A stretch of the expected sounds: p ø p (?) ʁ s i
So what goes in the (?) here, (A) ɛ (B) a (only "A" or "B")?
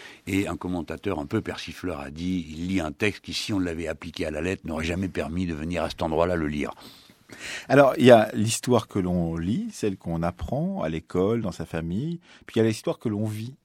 A